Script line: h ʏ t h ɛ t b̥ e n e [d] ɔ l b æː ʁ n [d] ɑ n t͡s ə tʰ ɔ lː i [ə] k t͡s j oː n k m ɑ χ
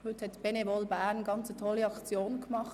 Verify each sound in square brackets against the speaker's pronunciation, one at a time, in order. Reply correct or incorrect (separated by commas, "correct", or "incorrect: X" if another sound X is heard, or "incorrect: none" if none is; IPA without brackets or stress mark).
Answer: incorrect: b, incorrect: ɡ, incorrect: ɑ